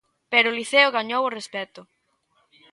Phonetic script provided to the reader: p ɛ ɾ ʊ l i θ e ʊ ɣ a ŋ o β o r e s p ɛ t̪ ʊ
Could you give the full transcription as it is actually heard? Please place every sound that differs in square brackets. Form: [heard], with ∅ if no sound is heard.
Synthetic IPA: p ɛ ɾ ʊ l i θ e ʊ ɣ a [ɲ] o [w] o r e s p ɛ t̪ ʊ